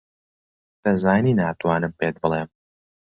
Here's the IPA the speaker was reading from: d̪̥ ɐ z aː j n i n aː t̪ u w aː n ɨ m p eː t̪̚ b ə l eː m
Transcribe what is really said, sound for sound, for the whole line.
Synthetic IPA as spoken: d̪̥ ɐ z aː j n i n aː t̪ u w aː n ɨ m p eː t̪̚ b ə l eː m